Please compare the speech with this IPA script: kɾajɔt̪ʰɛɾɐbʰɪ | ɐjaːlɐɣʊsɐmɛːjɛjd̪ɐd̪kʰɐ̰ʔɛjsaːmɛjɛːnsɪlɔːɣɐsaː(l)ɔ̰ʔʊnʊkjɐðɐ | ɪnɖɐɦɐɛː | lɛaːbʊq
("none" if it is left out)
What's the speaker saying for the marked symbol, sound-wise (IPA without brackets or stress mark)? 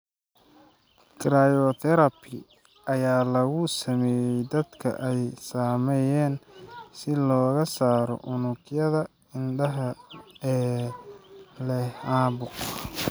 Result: ɾ